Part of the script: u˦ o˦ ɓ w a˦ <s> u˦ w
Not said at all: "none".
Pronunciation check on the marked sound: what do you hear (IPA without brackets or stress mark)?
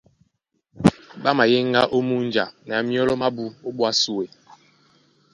s